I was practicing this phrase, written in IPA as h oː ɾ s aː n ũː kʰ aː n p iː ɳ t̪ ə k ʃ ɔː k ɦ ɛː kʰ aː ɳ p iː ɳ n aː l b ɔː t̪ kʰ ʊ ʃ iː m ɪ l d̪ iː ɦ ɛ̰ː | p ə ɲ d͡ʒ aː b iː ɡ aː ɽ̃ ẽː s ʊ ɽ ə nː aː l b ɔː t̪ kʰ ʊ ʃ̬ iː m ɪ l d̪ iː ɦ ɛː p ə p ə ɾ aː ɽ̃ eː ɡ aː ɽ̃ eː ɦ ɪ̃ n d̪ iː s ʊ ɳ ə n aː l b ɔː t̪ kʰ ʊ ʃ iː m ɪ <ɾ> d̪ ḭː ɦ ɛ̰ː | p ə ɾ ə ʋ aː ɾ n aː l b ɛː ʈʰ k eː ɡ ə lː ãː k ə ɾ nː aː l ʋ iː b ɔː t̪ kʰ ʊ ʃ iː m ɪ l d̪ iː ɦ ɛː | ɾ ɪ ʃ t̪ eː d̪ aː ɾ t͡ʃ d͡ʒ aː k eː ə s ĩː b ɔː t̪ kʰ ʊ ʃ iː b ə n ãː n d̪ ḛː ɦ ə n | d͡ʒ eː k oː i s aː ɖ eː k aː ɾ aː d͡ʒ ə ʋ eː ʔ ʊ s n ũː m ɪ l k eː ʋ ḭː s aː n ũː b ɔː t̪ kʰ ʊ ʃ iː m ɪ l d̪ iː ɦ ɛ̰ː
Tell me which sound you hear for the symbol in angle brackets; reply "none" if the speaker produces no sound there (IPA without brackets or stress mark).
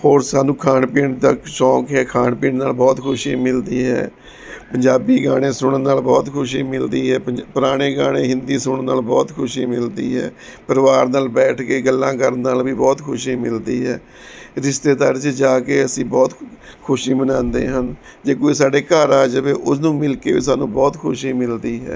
l